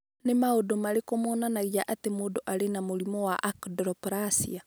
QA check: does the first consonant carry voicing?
yes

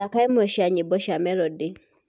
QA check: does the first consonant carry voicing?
no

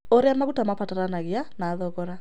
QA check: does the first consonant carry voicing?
yes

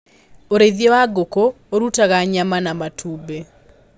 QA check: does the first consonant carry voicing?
yes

